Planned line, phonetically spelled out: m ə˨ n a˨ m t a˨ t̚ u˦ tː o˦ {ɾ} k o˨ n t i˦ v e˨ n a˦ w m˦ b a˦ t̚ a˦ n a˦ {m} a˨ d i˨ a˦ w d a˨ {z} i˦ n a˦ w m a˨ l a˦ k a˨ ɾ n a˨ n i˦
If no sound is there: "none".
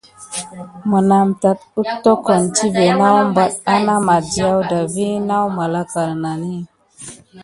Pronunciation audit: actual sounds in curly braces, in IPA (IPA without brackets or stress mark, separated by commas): none, m, v